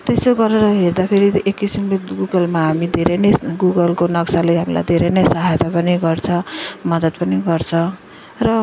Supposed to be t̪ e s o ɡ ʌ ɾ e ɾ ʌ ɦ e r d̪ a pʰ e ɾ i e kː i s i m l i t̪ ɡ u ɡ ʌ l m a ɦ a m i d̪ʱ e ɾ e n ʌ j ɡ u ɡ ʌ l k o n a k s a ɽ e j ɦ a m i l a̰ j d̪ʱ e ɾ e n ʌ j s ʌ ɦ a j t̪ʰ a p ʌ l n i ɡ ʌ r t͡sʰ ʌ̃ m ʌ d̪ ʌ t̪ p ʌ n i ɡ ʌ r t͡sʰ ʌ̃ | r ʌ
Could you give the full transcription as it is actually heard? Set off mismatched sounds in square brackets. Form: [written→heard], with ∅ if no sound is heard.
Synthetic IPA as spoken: t̪ e s o ɡ ʌ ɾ e ɾ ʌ ɦ e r d̪ a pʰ e ɾ i e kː i s i m l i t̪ ɡ u ɡ ʌ l m a ɦ a m i d̪ʱ e ɾ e n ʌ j ɡ u ɡ ʌ l k o n [a→ʌ] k s a [ɽ→l] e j ɦ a m i l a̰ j d̪ʱ e ɾ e n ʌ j s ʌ ɦ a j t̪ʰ a p ʌ [l→∅] n i ɡ ʌ r t͡sʰ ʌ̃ m ʌ d̪ ʌ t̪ p ʌ n i ɡ ʌ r t͡sʰ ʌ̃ | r ʌ